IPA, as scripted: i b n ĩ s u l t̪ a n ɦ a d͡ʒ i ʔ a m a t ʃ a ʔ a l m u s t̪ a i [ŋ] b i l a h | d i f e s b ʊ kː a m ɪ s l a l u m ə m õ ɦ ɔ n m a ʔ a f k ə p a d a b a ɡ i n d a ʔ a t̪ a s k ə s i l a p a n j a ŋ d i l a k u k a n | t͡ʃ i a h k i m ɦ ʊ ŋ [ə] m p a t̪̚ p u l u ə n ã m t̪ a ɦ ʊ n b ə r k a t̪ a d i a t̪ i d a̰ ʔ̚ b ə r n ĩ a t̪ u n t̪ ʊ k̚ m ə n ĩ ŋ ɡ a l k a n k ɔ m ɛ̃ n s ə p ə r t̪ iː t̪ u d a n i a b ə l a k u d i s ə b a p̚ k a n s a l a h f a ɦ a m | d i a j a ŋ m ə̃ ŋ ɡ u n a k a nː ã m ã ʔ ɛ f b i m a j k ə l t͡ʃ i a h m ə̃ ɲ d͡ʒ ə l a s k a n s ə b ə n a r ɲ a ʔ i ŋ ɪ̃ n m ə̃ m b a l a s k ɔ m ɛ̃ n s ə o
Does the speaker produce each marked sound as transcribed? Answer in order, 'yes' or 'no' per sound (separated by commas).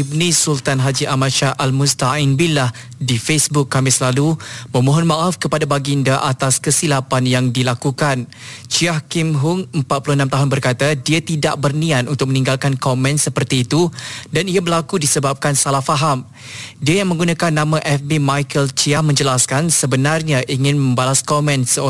no, yes